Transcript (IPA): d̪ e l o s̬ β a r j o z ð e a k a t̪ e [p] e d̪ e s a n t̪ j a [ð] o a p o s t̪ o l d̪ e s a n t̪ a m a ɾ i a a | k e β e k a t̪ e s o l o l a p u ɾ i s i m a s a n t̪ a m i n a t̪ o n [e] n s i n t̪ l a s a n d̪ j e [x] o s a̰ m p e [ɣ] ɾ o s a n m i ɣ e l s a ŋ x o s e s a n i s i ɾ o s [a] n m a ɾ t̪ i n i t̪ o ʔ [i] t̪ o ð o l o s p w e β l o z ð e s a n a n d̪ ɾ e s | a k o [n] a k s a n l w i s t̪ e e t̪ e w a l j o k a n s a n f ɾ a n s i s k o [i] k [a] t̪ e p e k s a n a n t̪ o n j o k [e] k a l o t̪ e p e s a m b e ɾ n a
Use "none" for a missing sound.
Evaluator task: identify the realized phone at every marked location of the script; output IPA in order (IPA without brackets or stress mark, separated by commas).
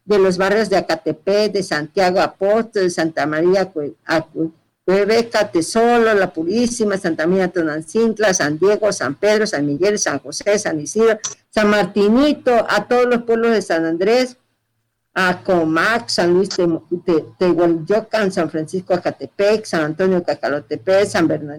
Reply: p, ɣ, a, ɣ, ð, a, a, m, a, a, a